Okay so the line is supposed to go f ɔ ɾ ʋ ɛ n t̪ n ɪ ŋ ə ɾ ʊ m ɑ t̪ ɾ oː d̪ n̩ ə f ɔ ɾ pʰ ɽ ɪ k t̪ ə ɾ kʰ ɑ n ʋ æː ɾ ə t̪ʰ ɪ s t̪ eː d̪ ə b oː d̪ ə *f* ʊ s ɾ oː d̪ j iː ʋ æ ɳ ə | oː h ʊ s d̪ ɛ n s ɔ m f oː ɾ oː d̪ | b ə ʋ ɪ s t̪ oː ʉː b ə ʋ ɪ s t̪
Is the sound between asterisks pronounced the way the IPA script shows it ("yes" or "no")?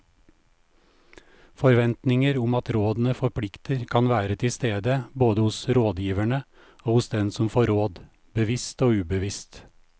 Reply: no